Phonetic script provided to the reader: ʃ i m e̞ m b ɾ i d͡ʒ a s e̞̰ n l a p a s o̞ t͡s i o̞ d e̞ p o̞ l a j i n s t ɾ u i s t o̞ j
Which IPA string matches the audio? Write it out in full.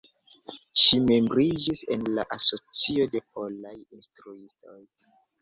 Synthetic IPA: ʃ i m e̞ m b ɾ i d͡ʒ i s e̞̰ n l a ʔ a s o̞ t͡s i o̞ d e̞ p o̞ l a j i n s t ɾ u i s t o̞ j

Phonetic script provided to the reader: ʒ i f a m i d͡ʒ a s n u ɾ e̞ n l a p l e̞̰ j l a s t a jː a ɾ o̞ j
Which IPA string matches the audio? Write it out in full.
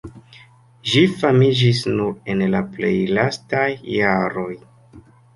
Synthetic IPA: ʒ i f a m i d͡ʒ i s n u ɾ e̞ n l a p l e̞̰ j l a s t a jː a ɾ o̞ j

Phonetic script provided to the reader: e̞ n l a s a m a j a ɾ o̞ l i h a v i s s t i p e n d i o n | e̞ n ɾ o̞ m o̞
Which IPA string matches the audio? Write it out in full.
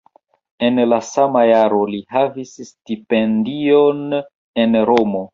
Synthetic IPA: e̞ n l a s a m a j a ɾ o̞ l i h a v i s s t i p e n d i o n | e̞ n ɾ o̞ m o̞

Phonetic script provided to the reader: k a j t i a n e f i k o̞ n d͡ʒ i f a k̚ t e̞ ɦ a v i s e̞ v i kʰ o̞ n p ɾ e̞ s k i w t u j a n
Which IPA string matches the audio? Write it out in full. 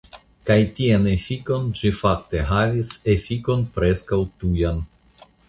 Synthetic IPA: k a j t i a n e f i k o̞ n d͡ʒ i f a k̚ t e̞ ɦ a v i s e̞ f i k o̞ n p ɾ e̞ s k a w t u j a n

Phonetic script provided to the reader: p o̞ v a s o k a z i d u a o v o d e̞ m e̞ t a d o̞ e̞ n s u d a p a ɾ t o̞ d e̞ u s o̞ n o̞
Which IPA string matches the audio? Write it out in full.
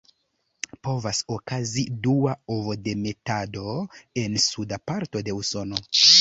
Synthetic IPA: p o̞ v a s o k a z i d u a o v o d e̞ m e̞ t a d o̞ e̞ n s u d a p a ɾ t o̞ d e̞ u s o̞ n o̞

